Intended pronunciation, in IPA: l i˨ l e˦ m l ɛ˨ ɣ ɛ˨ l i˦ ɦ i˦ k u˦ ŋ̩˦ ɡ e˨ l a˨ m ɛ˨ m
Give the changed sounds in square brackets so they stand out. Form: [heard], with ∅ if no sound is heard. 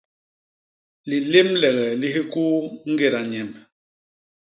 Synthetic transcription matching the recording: l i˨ l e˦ m l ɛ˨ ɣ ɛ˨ l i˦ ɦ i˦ k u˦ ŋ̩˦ ɡ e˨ [ɾ] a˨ [ɲ] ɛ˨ m